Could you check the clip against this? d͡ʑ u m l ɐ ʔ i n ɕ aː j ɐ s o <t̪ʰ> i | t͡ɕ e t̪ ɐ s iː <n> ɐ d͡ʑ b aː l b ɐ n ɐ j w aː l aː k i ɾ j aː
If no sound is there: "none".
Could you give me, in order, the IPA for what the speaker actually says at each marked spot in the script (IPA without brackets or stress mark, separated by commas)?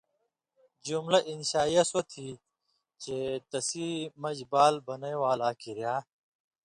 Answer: t̪ʰ, m